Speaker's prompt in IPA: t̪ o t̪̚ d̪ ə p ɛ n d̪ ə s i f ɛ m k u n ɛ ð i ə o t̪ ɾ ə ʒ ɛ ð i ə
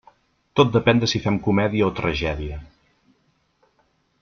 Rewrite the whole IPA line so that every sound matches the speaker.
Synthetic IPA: t̪ o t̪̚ d̪ ə p ɛ n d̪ ə s i f ɛ m k u m ɛ ð i ə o t̪ ɾ ə ʒ ɛ ð i ə